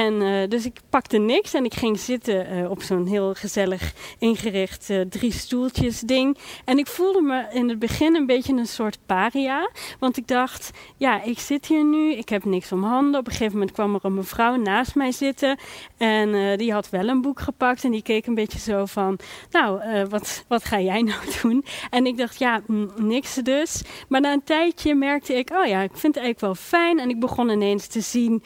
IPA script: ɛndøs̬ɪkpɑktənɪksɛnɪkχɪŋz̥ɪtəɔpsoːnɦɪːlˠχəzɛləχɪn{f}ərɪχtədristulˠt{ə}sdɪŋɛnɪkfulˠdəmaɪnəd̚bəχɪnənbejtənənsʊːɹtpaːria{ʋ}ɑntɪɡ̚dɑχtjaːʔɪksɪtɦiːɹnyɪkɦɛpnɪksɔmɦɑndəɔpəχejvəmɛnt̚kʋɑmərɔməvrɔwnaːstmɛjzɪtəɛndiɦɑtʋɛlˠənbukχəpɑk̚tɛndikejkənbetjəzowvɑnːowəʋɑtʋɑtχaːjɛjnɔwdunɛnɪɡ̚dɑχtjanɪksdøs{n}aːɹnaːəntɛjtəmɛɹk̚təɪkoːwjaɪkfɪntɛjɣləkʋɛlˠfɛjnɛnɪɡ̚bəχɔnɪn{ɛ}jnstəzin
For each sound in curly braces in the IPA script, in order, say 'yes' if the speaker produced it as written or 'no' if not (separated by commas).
no, yes, yes, no, no